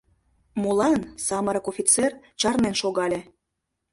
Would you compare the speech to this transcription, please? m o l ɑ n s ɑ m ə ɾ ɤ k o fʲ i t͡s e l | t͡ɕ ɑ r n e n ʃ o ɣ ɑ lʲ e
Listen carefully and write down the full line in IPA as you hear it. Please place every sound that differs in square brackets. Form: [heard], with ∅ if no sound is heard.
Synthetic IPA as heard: m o l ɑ n s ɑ m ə ɾ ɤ k o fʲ i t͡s e [r] | t͡ɕ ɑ r n e n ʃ o ɣ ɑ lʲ e